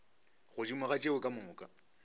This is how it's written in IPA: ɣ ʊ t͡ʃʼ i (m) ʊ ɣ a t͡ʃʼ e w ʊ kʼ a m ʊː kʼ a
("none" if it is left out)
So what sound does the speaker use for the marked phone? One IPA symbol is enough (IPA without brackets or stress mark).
m